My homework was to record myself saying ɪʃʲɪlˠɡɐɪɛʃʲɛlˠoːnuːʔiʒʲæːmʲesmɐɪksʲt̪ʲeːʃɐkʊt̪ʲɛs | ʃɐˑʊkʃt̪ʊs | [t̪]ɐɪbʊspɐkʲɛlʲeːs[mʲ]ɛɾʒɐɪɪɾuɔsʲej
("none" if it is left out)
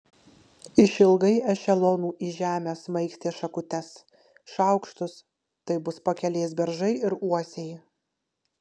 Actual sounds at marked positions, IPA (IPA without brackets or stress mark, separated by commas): t̪, bʲ